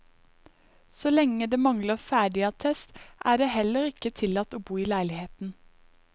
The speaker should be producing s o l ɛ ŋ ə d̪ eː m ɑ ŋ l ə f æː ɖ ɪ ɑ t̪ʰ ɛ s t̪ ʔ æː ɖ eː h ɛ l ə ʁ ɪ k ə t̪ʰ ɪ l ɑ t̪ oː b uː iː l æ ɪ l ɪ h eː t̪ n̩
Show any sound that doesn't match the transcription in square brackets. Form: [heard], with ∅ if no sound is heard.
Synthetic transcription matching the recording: s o l ɛ ŋ ə d̪ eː m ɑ ŋ l ə f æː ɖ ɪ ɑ t̪ʰ ɛ s t̪ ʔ æː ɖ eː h ɛ l ə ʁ ɪ k ə t̪ʰ ɪ l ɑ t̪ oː b uː iː l æ ɪ l ɪ h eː t̪ n̩